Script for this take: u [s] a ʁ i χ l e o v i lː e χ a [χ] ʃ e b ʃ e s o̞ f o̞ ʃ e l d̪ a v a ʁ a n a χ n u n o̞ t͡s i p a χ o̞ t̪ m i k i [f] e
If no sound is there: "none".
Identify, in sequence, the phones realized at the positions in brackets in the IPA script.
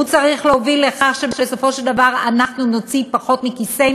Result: t͡s, χ, s

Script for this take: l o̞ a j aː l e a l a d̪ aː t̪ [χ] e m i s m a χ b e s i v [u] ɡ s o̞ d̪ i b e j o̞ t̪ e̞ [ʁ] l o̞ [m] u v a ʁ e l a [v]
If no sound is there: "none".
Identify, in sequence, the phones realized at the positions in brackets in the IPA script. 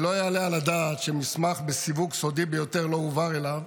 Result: ʃ, u, ʁ, none, v

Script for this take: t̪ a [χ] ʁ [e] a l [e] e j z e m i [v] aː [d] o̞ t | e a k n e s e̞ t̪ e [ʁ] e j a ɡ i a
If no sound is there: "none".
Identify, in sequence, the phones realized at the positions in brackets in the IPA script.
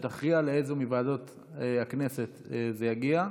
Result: χ, i, e, v, d, z

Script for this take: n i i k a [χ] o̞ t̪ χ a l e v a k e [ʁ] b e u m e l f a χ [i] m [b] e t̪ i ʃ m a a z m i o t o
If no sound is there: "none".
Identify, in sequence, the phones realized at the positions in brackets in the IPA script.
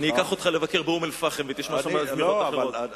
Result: χ, ʁ, e, v

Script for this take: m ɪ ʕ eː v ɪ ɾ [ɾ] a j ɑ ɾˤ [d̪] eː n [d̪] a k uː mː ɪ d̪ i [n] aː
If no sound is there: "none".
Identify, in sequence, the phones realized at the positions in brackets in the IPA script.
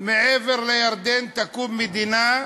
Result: l, d̪, t̪, n

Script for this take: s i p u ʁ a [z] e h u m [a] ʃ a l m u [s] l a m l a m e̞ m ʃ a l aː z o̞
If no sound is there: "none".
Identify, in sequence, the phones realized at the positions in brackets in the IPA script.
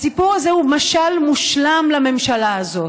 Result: z, a, ʃ

